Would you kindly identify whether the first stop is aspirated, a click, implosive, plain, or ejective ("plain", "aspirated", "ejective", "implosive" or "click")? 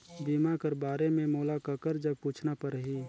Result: plain